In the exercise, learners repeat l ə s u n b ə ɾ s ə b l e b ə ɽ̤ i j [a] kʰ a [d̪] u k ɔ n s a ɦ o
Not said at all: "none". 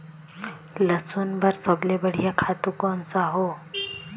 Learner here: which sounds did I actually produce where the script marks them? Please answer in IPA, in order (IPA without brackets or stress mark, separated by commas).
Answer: a, t̪